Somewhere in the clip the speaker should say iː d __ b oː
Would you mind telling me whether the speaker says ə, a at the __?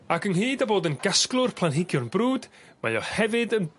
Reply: a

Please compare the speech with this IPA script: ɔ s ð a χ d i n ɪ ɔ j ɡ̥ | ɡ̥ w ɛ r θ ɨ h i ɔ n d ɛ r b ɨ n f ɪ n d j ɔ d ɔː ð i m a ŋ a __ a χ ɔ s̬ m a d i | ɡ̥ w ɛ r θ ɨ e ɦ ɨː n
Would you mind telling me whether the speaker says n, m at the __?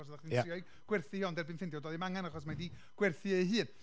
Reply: n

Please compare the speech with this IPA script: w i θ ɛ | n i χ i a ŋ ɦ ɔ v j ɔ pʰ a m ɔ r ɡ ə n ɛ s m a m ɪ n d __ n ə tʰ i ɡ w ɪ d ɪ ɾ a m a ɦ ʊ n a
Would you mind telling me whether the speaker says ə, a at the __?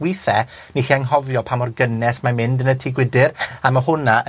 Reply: ə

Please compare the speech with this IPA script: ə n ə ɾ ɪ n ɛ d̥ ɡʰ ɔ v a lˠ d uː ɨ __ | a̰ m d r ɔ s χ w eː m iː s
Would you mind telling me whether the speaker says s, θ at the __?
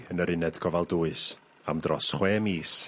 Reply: s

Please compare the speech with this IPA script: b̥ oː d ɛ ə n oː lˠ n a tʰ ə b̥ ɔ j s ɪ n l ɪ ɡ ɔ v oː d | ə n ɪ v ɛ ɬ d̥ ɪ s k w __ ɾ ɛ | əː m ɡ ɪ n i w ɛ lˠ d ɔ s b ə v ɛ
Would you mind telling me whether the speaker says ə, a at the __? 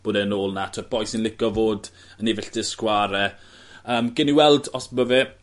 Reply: a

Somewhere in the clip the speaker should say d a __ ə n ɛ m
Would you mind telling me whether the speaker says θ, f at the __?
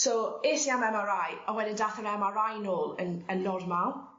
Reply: θ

